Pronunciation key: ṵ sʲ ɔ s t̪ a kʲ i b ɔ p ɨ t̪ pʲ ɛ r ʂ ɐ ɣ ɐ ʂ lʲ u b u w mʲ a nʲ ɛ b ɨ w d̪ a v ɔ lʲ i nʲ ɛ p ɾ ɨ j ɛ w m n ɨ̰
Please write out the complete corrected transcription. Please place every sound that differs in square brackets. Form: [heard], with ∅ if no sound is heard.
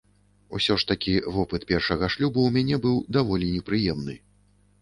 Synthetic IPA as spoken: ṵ sʲ ɔ [ʂ] t̪ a kʲ i [v] ɔ p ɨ t̪ pʲ ɛ r ʂ ɐ ɣ ɐ ʂ lʲ u b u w mʲ a nʲ ɛ b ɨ w d̪ a v ɔ lʲ i nʲ ɛ p ɾ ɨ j ɛ [∅] m n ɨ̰